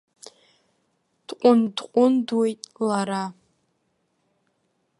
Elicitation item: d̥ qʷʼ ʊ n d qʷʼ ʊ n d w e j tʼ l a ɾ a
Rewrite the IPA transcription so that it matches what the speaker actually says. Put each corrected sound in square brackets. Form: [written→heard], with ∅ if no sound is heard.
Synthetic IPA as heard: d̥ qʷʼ ʊ n d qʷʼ ʊ n d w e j tʼ l a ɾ a